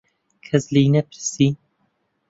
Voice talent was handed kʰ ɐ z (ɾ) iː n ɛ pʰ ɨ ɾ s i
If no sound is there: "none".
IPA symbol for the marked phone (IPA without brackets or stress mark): l